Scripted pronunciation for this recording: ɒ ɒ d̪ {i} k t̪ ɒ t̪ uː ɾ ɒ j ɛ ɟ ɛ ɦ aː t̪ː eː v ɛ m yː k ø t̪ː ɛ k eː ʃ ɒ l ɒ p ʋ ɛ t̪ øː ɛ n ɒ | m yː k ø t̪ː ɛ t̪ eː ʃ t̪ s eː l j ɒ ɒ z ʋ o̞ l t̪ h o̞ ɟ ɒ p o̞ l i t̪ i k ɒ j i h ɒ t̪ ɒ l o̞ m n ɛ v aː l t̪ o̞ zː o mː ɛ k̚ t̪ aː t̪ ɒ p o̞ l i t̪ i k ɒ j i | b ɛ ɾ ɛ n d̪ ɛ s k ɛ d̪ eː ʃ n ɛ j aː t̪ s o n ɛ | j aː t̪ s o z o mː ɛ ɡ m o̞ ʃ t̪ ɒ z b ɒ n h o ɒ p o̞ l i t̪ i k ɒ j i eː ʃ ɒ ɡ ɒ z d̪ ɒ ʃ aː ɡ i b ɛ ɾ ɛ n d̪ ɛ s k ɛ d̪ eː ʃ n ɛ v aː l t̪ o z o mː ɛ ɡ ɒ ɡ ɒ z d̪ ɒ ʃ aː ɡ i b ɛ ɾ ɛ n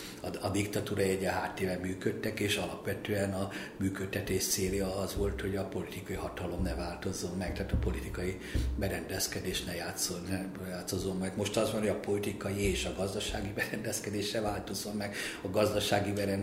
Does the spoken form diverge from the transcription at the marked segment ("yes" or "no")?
no